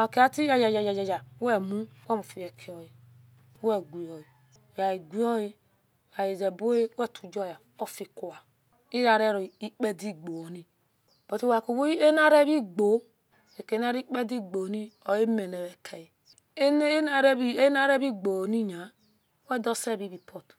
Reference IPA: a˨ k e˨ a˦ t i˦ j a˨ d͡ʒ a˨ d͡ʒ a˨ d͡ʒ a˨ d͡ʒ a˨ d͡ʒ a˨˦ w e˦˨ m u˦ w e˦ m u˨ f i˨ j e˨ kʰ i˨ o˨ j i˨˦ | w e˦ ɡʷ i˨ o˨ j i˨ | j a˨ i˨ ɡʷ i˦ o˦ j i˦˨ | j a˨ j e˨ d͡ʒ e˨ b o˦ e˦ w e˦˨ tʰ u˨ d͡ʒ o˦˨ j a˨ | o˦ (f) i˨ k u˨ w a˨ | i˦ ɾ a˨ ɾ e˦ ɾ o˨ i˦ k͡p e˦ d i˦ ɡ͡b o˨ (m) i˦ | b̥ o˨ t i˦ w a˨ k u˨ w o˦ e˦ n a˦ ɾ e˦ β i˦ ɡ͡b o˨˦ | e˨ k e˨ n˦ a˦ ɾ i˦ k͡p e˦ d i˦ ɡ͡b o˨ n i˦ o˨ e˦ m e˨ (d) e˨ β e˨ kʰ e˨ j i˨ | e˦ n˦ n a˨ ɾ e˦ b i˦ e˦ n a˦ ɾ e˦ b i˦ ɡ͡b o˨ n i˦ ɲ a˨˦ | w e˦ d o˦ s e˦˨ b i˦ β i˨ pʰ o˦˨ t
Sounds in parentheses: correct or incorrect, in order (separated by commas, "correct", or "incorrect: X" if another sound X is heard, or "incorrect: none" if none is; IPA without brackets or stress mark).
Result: correct, incorrect: n, incorrect: n